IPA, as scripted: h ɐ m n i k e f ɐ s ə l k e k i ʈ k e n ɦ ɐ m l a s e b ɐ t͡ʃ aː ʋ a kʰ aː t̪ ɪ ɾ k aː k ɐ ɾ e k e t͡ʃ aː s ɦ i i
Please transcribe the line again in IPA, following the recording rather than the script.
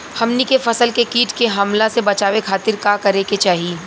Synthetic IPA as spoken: h ɐ m n i k e f ɐ s ə l k e k iː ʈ k e ɦ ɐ m l a s e b ɐ t͡ʃ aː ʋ e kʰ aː t̪ ɪ ɾ k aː k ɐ ɾ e k e t͡ʃ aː ɦ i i